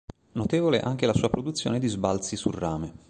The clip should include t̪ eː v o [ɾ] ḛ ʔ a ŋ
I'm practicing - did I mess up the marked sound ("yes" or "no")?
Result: yes